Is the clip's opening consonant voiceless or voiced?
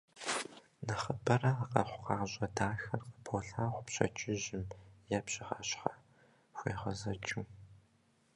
voiced